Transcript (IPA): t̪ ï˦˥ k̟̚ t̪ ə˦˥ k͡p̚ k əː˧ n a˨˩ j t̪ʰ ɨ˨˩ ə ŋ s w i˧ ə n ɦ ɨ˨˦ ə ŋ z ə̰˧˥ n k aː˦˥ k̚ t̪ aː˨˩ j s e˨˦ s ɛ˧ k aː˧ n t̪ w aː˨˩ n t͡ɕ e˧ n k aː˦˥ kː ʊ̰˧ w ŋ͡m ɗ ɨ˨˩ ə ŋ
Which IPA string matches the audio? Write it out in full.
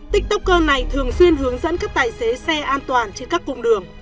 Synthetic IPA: t̪ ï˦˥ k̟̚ t̪ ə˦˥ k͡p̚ k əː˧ n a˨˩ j t̪ʰ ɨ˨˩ ə ŋ s w i˧ ə n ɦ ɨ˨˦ ə ŋ z ə̰˧˥ n k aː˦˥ k̚ t̪ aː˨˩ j s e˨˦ s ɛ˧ ʔ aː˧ n t̪ w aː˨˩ n t͡ɕ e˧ n k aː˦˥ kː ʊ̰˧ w ŋ͡m ɗ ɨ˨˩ ə ŋ

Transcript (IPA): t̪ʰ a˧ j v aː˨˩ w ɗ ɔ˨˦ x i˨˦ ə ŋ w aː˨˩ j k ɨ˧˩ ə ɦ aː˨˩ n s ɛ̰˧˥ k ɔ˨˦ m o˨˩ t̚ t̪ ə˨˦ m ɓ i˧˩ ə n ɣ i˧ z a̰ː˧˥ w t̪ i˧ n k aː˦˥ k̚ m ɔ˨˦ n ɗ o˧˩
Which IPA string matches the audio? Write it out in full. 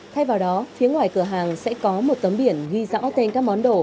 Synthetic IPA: t̪ʰ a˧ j v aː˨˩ w ɗ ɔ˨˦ f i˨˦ ə ŋ w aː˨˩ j k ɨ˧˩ ə ɦ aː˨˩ ŋ s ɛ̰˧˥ k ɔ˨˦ m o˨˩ t̚ t̪ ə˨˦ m ɓ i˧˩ ə n ɣ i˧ z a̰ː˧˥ w t̪ e˧ n k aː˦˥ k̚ m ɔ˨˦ n ɗ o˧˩

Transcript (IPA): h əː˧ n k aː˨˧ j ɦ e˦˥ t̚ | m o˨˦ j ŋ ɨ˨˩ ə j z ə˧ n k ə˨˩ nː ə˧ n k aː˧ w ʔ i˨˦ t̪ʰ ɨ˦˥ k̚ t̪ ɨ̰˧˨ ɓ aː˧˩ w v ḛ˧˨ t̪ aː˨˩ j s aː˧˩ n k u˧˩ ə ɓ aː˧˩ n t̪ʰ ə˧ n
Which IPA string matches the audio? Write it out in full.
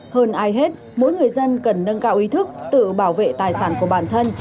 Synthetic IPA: h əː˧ n ʔ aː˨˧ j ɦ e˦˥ t̚ | m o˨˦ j ŋ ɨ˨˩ ə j z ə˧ n k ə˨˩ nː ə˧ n k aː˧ w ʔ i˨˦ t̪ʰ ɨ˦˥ k̚ t̪ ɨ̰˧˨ ɓ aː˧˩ w v ḛ˧˨ t̪ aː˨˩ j s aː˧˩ n k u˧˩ ə ɓ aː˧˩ n t̪ʰ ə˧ n

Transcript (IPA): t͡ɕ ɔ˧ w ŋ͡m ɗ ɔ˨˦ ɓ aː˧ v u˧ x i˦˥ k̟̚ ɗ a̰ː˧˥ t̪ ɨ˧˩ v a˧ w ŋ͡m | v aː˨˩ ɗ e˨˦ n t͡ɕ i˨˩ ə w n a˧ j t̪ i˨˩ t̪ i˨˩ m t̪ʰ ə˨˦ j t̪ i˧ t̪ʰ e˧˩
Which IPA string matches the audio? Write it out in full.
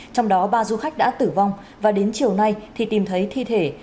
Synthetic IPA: t͡ɕ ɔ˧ w ŋ͡m ɗ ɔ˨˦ ɓ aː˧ z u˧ x a˦˥ k̟̚ ɗ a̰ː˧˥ t̪ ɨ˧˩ v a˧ w ŋ͡m | v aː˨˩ ɗ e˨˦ n t͡ɕ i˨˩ ə w n a˧ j t̪ʰ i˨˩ t̪ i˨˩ m t̪ʰ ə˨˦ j t̪ʰ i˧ t̪ʰ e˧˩

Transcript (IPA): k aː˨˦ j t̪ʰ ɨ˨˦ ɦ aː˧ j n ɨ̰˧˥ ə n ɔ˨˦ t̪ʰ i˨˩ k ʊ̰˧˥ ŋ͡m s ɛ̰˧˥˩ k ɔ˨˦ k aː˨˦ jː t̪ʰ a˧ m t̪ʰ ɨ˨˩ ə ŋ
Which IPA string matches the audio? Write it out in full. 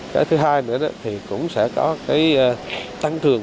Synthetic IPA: k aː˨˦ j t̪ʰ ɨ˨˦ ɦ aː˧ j n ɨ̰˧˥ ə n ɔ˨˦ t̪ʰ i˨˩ k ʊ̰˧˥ ŋ͡m s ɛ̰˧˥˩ k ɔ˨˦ k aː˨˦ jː t̪ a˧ ŋ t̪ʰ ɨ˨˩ ə ŋ

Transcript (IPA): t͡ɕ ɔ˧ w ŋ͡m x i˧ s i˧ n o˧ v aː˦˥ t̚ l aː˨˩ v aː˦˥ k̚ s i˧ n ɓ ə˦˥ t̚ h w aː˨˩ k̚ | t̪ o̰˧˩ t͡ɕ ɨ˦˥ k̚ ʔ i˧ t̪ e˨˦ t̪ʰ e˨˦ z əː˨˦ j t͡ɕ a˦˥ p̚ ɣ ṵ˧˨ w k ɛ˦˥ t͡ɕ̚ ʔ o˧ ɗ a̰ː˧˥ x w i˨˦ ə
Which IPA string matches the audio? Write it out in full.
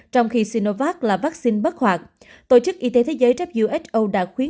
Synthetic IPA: t͡ɕ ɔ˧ w ŋ͡m x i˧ s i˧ n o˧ v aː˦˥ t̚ l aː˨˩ v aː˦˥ k̚ s i˧ n ɓ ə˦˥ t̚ h w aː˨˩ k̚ | t̪ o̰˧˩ t͡ɕ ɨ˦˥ k̚ ʔ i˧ t̪ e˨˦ t̪ʰ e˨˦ z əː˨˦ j t͡ɕ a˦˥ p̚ z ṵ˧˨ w ʔ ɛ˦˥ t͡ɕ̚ ʔ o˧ ɗ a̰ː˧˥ x w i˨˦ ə

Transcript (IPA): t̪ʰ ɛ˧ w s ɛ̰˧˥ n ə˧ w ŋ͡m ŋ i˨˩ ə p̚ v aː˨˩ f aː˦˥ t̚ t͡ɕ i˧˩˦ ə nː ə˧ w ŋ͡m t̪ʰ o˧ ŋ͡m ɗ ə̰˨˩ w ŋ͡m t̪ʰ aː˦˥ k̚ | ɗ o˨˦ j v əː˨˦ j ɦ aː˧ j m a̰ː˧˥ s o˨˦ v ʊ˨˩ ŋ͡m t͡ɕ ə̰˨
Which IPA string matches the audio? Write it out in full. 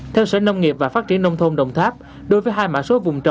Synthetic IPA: t̪ʰ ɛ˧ w s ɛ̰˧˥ n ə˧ w ŋ͡m ŋ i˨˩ ə p̚ v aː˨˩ f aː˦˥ t̚ t͡ɕ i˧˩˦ ə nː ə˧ w ŋ͡m t̪ʰ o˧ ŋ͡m ɗ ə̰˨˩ w ŋ͡m t̪ʰ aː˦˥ p̚ | ɗ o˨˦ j v əː˨˦ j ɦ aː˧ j m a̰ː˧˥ s o˨˦ v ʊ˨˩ ŋ͡m t͡ɕ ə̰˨

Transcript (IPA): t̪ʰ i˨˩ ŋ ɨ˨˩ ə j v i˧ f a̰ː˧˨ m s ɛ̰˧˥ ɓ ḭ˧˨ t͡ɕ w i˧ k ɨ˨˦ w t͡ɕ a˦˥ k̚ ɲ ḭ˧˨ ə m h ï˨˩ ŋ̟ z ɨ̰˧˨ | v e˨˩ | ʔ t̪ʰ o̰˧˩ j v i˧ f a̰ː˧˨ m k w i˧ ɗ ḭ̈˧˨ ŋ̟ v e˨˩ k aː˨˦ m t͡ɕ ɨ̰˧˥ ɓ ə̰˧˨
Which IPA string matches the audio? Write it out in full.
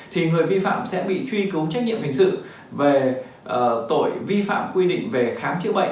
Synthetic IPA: t̪ʰ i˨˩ ŋ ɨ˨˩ ə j v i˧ f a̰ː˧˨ m s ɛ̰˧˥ ɓ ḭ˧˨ t͡ɕ w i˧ k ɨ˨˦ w t͡ɕ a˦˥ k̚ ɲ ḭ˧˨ ə m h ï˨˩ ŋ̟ s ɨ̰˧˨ | v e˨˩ | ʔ t̪ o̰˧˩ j v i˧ f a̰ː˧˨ m k w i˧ ɗ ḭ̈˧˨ ŋ̟ v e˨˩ x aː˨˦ m t͡ɕ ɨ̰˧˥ ɓ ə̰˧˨

